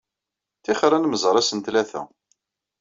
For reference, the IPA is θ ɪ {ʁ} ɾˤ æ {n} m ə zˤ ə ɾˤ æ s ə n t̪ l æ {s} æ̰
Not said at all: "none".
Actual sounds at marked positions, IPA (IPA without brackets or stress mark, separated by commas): χ, n, θ